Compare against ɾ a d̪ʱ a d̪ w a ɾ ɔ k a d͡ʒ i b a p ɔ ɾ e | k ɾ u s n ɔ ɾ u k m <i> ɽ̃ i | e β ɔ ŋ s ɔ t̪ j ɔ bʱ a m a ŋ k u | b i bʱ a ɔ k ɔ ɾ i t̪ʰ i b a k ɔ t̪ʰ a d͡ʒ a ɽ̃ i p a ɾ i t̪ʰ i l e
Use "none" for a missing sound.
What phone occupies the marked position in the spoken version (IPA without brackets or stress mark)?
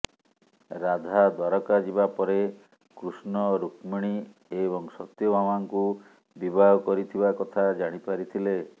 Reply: i